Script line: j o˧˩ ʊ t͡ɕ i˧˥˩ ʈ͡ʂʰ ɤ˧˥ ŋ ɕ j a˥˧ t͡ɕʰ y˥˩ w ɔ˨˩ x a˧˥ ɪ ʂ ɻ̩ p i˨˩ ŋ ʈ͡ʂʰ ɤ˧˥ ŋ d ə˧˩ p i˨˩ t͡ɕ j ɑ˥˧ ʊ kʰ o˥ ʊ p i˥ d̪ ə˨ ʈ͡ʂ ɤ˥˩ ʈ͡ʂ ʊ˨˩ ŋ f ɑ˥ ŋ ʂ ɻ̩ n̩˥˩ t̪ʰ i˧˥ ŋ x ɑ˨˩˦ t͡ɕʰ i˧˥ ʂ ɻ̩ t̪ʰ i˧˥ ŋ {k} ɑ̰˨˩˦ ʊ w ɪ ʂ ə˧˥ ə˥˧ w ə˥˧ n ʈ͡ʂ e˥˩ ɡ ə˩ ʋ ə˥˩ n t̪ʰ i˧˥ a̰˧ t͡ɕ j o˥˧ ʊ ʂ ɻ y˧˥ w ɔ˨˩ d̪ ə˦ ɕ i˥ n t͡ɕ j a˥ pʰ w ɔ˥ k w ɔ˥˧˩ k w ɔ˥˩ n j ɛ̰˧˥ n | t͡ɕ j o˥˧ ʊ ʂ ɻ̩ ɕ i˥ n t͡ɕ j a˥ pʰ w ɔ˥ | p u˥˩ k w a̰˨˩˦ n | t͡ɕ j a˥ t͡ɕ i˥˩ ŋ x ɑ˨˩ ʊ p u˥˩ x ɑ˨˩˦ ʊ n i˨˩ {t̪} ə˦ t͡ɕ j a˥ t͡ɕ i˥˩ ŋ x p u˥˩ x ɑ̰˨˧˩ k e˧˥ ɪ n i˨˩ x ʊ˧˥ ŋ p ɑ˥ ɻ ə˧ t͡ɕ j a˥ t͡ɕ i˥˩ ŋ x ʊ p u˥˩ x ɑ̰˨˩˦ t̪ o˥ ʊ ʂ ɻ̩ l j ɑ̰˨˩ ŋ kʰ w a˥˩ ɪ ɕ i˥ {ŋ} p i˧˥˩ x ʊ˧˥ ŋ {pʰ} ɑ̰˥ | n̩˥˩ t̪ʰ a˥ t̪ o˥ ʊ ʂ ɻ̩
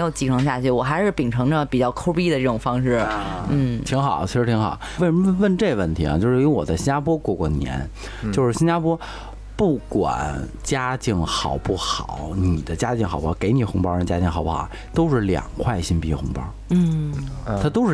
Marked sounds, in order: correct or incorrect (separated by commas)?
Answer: incorrect, incorrect, incorrect, incorrect